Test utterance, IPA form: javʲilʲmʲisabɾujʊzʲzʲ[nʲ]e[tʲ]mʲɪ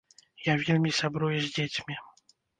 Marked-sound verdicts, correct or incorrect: incorrect: dʲ, correct

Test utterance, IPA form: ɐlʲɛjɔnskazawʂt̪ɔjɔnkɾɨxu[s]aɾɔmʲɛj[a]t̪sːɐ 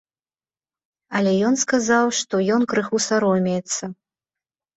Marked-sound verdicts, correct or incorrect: correct, incorrect: ɛ

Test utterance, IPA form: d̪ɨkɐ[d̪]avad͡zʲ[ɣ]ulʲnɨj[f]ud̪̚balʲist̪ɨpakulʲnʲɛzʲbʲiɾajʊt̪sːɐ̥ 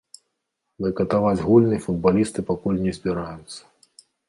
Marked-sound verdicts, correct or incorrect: incorrect: t̪, correct, correct

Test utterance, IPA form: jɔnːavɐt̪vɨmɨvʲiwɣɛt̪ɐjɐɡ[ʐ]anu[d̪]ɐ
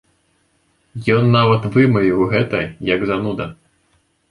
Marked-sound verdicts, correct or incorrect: incorrect: z, correct

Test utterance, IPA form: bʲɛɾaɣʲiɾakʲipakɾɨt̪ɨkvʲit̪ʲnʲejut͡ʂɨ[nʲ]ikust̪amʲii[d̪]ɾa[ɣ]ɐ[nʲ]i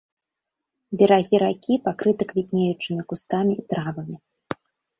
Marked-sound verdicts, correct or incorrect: incorrect: mʲ, incorrect: t̪, incorrect: v, incorrect: mʲ

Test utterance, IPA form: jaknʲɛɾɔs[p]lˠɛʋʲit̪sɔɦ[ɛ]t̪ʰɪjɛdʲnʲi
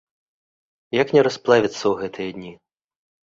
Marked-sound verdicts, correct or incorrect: correct, correct

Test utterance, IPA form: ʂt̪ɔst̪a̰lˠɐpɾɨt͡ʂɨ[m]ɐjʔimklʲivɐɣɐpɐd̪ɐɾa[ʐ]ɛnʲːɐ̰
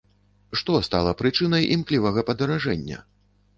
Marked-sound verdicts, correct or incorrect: incorrect: n, correct

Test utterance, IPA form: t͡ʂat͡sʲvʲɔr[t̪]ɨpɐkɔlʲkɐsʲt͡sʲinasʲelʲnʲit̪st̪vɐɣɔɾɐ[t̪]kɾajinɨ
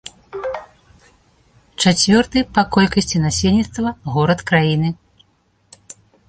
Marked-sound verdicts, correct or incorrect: correct, correct

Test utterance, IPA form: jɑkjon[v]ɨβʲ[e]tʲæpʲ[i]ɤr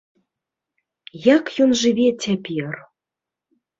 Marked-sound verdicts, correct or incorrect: incorrect: ʒ, correct, correct

